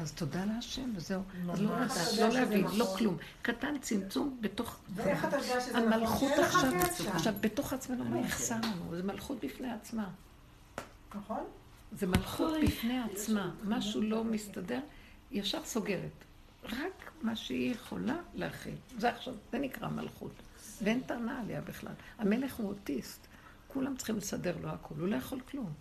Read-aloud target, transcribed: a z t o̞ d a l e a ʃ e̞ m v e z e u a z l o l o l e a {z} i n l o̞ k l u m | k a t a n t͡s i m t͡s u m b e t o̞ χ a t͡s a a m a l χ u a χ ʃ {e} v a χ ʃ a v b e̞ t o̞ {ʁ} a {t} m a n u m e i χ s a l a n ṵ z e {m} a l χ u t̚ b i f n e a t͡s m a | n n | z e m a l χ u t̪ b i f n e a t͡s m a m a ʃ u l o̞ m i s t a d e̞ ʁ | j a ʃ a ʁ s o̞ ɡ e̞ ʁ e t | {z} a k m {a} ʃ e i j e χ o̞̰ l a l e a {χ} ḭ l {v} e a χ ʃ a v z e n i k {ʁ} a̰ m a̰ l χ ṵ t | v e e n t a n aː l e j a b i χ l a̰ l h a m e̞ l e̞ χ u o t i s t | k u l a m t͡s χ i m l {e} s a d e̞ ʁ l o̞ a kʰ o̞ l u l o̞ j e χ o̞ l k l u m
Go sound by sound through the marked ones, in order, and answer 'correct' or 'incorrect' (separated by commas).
incorrect, incorrect, incorrect, incorrect, correct, incorrect, correct, correct, incorrect, correct, correct